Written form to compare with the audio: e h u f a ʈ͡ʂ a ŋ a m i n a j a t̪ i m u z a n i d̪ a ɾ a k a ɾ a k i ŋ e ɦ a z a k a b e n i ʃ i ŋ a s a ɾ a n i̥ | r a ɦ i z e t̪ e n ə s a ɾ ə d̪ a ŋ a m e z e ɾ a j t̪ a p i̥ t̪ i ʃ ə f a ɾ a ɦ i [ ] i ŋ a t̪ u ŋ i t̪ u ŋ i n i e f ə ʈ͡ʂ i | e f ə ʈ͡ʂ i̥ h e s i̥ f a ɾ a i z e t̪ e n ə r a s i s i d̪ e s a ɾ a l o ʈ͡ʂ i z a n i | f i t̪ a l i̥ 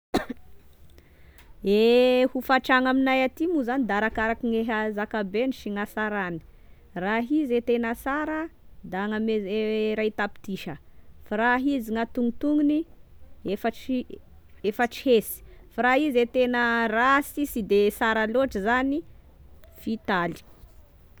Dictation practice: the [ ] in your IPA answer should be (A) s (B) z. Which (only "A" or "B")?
B